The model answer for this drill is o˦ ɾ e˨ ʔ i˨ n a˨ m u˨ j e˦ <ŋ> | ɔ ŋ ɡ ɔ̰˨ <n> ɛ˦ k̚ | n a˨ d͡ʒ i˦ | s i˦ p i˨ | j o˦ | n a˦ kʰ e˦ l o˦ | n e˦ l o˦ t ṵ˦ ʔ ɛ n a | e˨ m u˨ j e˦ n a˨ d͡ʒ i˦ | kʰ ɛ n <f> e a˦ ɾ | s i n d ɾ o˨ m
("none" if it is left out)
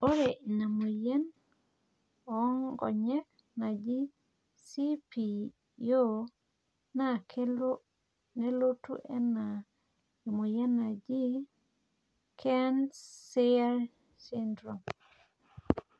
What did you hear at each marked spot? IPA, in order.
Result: n, ɲ, s

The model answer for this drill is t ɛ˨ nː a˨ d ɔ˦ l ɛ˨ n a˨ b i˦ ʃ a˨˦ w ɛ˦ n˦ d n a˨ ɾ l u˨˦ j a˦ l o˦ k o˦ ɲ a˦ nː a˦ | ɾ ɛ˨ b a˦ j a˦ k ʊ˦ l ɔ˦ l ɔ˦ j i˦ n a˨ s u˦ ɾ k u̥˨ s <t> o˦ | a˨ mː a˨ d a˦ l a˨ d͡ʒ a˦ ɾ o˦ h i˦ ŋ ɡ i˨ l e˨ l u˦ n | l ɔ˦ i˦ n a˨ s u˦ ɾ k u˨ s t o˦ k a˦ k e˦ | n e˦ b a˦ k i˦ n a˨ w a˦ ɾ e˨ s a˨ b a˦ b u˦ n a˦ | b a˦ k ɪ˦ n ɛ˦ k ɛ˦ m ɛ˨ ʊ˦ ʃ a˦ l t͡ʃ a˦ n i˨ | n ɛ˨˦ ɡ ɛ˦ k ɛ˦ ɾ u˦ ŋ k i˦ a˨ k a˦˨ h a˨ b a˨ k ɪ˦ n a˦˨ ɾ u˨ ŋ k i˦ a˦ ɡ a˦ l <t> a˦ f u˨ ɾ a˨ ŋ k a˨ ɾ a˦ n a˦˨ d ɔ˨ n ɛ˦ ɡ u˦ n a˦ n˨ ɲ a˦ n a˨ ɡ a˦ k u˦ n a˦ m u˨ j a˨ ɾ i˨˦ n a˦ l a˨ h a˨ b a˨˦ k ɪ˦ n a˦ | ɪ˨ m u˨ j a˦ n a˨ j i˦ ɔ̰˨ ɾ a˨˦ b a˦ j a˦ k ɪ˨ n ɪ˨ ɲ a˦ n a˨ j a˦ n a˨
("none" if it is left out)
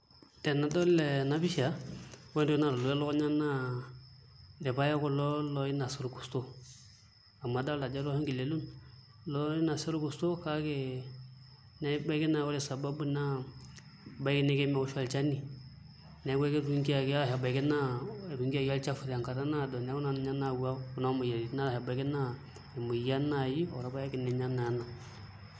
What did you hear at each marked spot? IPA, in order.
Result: t, t͡ʃ

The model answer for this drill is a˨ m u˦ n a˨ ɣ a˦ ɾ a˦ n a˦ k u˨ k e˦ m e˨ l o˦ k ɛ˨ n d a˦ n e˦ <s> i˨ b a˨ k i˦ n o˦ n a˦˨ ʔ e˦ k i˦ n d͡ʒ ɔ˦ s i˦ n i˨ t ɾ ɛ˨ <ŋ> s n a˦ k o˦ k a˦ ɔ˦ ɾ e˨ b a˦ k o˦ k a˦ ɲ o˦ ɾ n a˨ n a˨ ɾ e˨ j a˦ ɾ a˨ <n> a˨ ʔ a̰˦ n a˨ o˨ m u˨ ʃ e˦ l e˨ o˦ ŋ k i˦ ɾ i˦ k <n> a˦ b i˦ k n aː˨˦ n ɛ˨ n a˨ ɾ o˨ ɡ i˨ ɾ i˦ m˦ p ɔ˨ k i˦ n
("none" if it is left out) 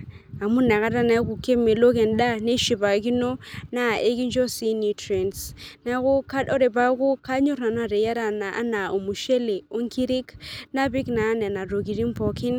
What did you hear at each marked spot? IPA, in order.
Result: ʃ, n, n, n

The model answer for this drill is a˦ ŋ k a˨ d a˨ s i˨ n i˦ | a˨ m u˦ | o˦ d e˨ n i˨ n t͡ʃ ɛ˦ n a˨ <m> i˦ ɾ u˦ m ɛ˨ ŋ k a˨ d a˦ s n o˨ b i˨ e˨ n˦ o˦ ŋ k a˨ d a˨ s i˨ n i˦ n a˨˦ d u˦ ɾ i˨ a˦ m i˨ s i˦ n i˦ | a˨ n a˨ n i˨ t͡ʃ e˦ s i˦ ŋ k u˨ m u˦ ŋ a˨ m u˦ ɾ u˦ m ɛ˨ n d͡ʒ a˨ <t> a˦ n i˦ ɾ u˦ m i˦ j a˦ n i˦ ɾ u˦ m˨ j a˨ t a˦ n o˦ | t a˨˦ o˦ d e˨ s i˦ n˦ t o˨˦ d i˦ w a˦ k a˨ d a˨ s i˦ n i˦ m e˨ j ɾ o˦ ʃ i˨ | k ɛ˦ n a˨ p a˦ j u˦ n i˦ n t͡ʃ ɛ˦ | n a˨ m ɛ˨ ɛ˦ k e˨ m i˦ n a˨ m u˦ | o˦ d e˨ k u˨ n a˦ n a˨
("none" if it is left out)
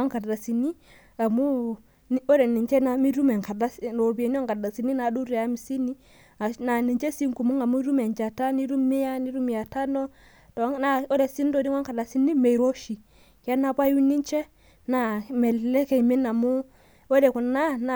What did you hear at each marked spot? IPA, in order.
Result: m, t

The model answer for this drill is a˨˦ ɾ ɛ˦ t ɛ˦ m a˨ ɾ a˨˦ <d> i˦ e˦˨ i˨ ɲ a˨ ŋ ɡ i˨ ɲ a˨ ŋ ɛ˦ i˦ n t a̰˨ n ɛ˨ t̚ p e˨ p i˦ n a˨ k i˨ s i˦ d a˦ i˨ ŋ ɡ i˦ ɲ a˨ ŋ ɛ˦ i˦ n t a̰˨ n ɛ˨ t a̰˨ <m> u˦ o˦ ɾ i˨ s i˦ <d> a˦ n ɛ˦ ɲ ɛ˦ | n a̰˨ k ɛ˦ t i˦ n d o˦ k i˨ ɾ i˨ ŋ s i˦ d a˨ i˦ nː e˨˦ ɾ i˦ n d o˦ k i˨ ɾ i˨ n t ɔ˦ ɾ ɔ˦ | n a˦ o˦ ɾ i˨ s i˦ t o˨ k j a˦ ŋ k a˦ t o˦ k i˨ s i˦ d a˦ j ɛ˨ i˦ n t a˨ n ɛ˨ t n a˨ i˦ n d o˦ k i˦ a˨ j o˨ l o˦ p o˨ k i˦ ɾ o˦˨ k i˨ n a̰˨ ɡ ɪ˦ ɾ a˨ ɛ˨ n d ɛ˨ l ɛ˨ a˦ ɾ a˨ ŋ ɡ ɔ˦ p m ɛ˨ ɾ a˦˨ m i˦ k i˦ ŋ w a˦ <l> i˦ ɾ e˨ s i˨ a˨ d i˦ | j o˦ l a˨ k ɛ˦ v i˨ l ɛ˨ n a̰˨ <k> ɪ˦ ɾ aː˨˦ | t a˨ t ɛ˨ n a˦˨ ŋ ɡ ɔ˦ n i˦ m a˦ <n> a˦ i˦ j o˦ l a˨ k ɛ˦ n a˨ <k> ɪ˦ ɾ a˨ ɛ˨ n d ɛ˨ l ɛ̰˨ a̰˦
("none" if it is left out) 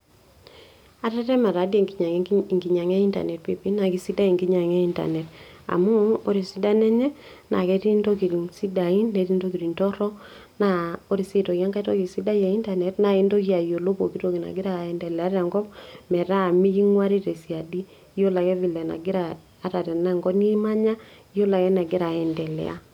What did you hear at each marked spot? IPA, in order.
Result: d, m, d, ɾ, ɡ, ɲ, ɡ

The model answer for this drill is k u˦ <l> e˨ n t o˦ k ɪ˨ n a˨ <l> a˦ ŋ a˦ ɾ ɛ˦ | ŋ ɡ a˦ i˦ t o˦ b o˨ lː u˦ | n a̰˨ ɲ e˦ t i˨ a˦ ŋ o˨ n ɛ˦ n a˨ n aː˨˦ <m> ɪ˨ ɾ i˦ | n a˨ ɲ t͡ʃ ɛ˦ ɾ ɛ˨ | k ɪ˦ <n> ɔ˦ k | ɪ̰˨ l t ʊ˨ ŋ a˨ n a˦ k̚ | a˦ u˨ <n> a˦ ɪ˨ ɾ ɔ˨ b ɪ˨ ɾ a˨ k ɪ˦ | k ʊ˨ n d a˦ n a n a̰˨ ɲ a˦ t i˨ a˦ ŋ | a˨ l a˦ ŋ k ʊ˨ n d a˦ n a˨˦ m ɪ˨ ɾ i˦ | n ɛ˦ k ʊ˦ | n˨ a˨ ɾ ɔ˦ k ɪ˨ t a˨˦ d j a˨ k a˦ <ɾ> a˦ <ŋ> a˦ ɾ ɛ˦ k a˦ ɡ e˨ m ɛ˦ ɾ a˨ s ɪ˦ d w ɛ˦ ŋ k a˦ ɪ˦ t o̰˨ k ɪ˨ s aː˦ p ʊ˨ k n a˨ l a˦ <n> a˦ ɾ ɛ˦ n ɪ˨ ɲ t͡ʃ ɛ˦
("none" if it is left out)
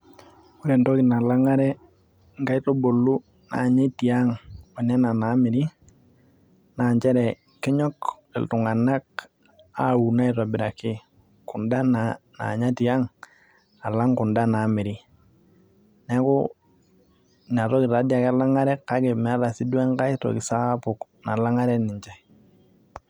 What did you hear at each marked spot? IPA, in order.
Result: ɾ, l, m, ɲ, n, l, ŋ, ŋ

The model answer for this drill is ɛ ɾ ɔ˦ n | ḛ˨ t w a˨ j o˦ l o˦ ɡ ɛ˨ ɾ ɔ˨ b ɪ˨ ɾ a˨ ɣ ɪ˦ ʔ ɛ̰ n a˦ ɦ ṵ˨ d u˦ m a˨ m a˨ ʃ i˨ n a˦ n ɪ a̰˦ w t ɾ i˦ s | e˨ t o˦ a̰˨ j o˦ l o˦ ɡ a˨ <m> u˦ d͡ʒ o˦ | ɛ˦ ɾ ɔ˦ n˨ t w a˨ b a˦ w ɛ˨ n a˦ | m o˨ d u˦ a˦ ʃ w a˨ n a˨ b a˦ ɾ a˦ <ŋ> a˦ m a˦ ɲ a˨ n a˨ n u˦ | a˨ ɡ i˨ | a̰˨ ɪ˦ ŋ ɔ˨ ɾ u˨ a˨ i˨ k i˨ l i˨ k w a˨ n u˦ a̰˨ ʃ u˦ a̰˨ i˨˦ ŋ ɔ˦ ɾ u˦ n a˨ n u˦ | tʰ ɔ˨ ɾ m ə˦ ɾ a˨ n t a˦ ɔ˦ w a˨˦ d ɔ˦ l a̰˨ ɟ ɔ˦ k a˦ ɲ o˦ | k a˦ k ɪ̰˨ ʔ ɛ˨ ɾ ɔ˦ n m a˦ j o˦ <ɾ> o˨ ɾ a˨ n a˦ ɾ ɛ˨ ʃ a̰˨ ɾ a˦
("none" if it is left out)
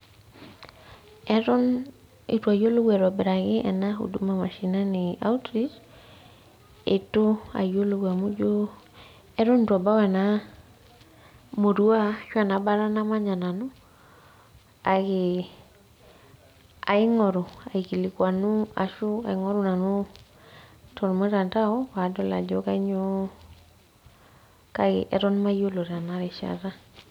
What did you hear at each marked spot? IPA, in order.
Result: m, n, l

